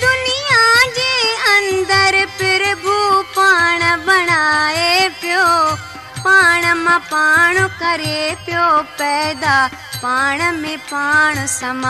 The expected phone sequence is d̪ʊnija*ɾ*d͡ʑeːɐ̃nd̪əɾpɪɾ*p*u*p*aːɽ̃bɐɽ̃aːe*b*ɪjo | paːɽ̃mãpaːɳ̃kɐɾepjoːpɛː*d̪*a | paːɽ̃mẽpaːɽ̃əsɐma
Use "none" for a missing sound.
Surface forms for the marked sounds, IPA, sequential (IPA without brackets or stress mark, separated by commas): none, b, p, p, d̪